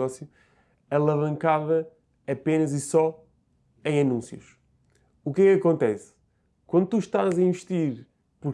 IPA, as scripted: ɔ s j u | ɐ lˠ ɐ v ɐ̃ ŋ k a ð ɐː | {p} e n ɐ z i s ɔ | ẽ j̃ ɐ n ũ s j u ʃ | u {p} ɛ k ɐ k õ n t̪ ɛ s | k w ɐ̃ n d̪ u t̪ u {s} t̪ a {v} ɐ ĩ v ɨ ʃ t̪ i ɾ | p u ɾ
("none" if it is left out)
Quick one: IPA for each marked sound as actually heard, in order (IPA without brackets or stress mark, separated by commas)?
p, k, ʃ, z